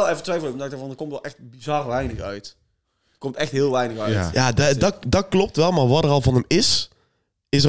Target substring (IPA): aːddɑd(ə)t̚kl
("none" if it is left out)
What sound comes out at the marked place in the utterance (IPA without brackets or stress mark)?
ɑ